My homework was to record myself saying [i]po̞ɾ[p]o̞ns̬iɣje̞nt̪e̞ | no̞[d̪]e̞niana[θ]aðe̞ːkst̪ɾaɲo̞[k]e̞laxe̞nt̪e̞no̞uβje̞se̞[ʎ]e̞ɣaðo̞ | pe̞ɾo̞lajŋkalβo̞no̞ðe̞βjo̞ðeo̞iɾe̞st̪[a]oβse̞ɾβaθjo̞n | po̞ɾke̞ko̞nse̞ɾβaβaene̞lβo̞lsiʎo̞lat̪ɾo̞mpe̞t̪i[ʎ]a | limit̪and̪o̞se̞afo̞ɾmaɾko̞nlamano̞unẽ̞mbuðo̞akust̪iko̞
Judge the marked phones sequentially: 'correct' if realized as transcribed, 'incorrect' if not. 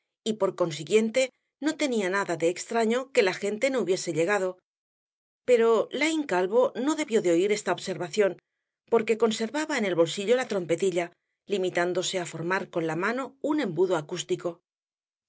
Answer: correct, incorrect: k, incorrect: t̪, incorrect: ð, correct, correct, correct, correct

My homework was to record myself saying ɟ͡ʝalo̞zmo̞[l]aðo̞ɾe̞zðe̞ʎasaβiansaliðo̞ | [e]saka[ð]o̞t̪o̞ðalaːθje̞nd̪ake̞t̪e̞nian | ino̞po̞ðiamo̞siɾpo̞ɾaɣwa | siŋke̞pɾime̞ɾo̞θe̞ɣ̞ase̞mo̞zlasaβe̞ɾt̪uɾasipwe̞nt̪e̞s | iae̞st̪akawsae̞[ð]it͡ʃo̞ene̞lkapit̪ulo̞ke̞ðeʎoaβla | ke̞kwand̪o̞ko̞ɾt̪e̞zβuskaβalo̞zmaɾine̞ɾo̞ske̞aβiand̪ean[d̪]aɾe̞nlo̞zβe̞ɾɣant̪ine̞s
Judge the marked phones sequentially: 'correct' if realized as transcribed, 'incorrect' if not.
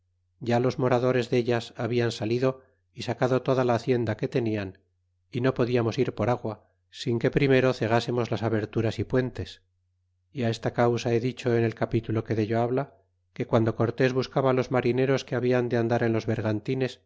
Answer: incorrect: ɾ, incorrect: i, correct, correct, correct

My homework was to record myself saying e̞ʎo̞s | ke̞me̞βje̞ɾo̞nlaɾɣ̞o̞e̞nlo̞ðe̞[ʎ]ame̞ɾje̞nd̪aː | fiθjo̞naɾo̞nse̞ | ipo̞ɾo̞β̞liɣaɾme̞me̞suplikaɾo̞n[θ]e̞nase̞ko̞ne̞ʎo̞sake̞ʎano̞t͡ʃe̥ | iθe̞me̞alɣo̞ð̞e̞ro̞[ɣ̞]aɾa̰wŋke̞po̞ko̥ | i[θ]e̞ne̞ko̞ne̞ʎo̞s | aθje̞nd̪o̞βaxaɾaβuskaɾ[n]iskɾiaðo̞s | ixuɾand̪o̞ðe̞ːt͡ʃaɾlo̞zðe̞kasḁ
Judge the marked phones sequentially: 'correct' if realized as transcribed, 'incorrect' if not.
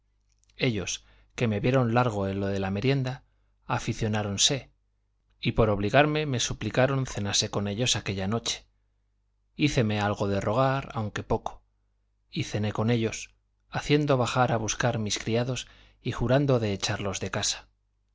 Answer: incorrect: l, correct, correct, correct, incorrect: m

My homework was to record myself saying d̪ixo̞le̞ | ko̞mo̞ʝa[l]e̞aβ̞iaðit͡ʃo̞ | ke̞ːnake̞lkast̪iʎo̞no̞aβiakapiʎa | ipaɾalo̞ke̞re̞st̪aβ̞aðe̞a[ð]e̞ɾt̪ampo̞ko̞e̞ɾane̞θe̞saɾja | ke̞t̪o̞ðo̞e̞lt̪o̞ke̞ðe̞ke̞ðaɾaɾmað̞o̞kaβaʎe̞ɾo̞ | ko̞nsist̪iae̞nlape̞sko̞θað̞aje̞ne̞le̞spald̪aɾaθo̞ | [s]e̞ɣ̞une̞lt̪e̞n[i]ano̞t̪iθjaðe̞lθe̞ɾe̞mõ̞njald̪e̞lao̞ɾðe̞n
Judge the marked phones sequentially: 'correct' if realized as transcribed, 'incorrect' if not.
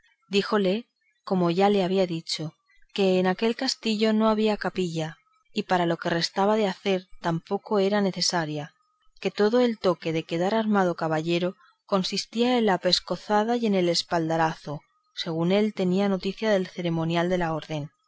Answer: correct, incorrect: θ, correct, correct

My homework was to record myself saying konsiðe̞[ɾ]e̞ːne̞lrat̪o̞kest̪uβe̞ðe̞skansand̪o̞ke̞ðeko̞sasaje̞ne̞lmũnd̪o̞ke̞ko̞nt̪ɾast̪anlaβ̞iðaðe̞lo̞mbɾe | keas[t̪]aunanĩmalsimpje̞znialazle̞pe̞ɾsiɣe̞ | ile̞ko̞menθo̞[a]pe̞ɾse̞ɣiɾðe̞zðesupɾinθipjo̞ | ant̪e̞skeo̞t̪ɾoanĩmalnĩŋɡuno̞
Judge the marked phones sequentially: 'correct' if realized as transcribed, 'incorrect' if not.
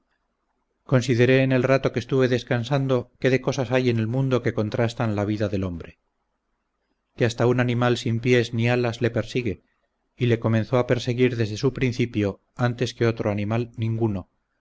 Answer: correct, correct, correct

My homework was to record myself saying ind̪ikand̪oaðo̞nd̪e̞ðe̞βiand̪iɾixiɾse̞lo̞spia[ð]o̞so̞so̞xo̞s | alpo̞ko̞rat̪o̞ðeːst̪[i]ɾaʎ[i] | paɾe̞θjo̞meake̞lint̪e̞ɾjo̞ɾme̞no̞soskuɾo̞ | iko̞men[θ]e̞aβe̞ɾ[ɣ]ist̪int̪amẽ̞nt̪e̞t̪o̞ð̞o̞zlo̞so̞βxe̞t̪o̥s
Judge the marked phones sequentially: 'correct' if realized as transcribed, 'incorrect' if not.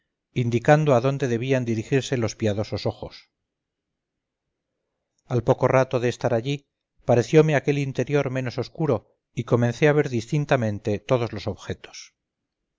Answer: correct, incorrect: a, correct, correct, incorrect: ð

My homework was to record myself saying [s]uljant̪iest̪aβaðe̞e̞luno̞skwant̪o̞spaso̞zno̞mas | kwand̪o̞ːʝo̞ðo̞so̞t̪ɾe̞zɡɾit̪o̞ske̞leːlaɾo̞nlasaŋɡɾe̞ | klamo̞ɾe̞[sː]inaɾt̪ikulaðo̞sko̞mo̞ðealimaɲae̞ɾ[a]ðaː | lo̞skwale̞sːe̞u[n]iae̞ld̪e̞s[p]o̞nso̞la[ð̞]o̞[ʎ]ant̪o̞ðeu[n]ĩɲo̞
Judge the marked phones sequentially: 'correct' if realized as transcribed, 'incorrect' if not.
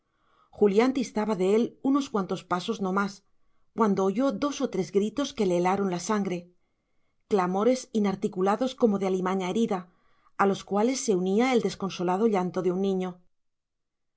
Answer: incorrect: x, incorrect: s, incorrect: i, correct, incorrect: k, correct, correct, incorrect: nː

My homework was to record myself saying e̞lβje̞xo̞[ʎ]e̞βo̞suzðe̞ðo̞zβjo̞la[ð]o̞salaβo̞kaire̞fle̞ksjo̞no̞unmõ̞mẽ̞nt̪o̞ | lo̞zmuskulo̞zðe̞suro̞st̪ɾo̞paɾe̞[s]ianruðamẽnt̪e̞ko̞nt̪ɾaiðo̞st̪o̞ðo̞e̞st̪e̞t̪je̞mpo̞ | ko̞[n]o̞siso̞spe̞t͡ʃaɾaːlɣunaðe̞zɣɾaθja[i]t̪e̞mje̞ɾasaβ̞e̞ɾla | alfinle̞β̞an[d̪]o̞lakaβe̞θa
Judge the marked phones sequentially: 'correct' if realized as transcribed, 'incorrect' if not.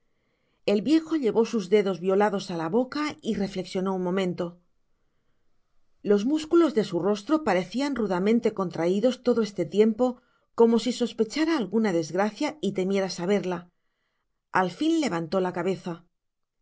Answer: correct, correct, incorrect: θ, incorrect: m, correct, incorrect: t̪

